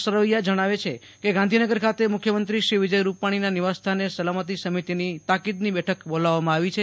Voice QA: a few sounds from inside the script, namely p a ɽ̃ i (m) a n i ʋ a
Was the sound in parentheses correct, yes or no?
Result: no